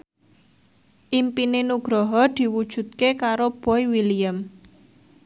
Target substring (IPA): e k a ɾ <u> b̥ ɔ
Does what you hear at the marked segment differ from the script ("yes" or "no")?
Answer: yes